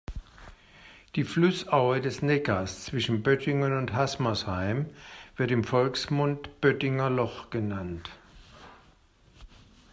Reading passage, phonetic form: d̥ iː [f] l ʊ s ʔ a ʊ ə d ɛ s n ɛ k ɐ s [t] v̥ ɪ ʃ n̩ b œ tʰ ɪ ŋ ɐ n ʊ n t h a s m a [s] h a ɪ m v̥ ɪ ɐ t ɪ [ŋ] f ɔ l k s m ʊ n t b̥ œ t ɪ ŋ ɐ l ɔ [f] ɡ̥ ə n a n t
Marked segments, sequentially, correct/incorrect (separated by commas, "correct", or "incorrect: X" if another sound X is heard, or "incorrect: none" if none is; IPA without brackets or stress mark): correct, incorrect: t͡s, correct, incorrect: m, incorrect: χ